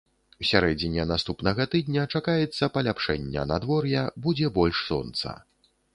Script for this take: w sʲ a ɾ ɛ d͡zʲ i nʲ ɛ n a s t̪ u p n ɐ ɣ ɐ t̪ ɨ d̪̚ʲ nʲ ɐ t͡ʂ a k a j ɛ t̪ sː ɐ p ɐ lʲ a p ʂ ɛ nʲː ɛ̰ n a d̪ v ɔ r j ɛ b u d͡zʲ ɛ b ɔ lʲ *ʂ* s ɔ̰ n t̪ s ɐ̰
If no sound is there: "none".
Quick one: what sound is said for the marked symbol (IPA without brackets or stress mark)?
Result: ʂ